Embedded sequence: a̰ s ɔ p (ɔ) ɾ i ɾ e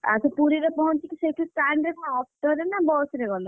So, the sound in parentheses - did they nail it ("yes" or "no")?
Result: no